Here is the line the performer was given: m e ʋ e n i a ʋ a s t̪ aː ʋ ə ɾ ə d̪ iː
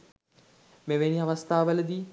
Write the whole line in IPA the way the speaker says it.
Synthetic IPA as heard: m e ʋ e n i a ʋ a s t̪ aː ʋ ə l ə d̪ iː